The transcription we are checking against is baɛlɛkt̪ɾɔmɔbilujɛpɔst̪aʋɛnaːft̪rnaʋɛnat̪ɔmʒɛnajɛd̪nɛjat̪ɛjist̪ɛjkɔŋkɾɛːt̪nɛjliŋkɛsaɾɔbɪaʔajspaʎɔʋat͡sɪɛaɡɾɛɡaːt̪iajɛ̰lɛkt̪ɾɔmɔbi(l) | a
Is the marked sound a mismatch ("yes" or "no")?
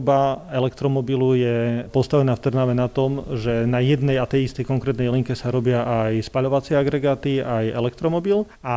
no